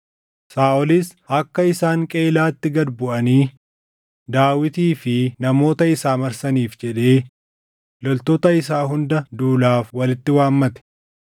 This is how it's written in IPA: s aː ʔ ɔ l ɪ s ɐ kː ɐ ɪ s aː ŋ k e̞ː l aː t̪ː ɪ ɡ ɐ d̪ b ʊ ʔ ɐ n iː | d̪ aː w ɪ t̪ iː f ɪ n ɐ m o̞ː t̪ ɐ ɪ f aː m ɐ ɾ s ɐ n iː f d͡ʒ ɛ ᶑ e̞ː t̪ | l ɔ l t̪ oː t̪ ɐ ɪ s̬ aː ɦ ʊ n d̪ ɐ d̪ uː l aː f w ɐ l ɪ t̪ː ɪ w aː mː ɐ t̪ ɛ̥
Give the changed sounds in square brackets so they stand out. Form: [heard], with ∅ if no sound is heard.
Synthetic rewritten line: s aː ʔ ɔ l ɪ s ɐ kː ɐ ɪ s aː ŋ [kʼ] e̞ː l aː t̪ː ɪ ɡ ɐ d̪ b ʊ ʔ ɐ n iː | d̪ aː w ɪ t̪ iː f ɪ n ɐ m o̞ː t̪ ɐ ɪ [s] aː m ɐ ɾ s ɐ n iː f d͡ʒ ɛ ᶑ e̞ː [∅] | l ɔ l t̪ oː t̪ ɐ ɪ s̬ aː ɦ ʊ n d̪ ɐ d̪ uː l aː f w ɐ l ɪ t̪ː ɪ w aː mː ɐ t̪ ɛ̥